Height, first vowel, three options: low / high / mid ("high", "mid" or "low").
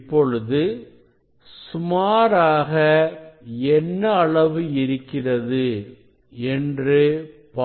mid